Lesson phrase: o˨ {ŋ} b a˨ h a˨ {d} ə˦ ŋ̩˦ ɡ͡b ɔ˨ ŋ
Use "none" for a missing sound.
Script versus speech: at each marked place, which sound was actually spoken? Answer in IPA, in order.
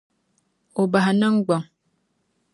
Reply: none, n

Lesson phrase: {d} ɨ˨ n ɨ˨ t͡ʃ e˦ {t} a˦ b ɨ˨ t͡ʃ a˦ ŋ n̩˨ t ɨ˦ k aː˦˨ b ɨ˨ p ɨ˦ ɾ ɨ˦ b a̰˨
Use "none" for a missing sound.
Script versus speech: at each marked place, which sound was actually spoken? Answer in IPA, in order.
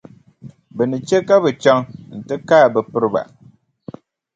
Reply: b, k

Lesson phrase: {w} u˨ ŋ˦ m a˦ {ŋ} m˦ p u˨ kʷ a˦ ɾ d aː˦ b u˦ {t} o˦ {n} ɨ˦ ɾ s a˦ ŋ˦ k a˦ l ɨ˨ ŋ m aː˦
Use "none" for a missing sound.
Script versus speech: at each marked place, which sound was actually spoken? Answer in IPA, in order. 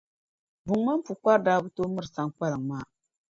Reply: b, none, t, m

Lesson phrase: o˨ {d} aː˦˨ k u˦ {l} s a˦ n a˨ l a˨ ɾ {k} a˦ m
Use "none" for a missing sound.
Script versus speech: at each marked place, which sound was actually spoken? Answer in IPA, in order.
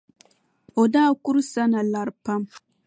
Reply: d, ɾ, p

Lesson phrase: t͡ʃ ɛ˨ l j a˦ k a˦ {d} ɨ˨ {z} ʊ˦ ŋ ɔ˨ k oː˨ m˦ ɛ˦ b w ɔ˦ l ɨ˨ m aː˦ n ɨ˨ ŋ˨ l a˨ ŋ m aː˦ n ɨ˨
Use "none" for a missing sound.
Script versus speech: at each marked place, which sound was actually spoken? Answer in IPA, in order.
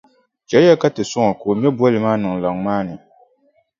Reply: t, s

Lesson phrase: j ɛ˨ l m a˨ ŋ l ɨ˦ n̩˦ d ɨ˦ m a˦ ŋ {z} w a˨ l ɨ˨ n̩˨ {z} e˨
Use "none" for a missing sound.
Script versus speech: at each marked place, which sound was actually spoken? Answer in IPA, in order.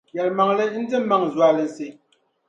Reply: z, s

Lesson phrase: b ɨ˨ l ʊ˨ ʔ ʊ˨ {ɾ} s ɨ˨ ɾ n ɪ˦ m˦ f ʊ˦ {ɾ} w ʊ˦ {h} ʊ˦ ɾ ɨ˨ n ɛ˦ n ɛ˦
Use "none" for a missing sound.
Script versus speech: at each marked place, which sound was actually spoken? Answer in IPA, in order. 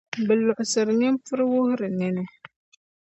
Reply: none, ɾ, h

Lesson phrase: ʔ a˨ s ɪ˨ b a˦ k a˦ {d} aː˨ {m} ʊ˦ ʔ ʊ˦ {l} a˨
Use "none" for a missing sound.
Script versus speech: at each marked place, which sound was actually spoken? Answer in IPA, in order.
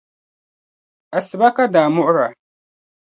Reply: d, m, ɾ

